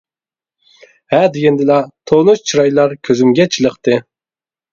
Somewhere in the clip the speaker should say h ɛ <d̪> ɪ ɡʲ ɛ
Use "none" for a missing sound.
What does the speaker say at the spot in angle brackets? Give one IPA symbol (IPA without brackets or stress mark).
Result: d̪